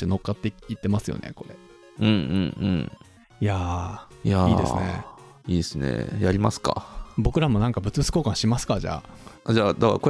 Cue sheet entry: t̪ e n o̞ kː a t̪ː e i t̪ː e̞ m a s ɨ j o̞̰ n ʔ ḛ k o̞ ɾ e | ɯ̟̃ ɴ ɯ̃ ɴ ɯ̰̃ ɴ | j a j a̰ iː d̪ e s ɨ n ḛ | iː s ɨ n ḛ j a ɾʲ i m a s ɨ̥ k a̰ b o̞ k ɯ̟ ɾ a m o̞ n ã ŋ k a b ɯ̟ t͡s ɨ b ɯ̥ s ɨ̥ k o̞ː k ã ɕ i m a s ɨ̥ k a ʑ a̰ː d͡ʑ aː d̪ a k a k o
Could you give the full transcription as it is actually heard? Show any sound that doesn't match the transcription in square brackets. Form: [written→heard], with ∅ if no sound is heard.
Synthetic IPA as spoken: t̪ e n o̞ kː a t̪ː e i t̪ː e̞ m a s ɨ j o̞̰ n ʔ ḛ k o̞ ɾ e | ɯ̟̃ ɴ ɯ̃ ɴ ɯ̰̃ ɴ | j a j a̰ iː d̪ e s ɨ n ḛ | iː s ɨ n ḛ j a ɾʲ i m a s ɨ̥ k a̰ b o̞ k ɯ̟ ɾ a m o̞ n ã ŋ k a b ɯ̟ t͡s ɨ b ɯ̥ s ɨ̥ k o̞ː k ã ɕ i m a s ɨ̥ k a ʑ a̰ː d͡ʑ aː d̪ a k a k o